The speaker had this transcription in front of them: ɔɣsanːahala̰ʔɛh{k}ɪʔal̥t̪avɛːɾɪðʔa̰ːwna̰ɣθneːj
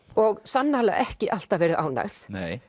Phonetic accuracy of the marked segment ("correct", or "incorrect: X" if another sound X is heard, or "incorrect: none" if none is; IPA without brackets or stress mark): incorrect: c